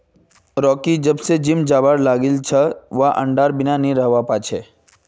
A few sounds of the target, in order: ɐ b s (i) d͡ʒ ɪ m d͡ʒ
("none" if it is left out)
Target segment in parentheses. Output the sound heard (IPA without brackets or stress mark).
e